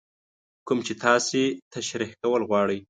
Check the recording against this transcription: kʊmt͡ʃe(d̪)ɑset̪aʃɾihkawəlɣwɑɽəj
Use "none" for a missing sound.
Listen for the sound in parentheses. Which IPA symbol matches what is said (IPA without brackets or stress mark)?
t̪